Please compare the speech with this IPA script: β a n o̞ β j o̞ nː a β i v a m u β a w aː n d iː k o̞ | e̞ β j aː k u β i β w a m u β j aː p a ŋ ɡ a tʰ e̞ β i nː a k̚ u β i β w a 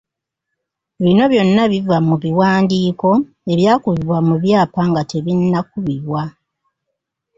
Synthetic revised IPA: β i n o̞ β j o̞ nː a β i v a m u β i w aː n d iː k o̞ | e̞ β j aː k u β i β w a m u β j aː p a ŋ ɡ a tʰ e̞ β i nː a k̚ u β i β w a